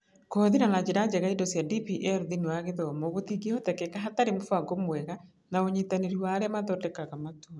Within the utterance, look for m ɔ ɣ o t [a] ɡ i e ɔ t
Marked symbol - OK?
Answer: no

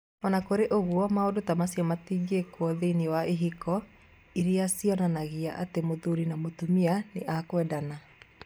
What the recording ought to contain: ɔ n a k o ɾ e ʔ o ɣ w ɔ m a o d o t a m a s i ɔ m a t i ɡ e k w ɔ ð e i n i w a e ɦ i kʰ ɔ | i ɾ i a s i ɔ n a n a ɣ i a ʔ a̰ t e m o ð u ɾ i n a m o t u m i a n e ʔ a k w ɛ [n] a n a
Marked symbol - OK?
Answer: no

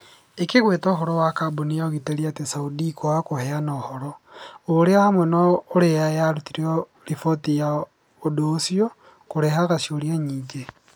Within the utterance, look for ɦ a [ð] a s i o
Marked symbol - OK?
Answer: no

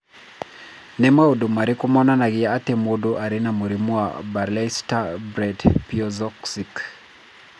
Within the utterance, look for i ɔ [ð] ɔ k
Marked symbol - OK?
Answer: no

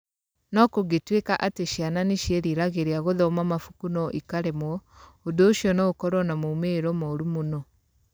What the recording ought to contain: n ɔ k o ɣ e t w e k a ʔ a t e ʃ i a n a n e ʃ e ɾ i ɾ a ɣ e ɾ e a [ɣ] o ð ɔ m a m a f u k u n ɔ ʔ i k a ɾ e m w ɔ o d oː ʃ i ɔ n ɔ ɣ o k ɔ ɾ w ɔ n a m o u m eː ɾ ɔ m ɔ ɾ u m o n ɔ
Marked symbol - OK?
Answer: yes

